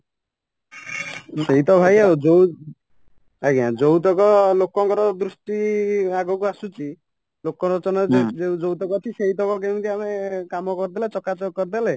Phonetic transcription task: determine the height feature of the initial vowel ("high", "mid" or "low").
mid